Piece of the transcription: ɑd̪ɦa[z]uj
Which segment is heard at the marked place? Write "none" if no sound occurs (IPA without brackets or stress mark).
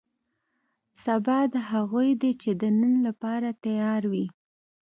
ɣ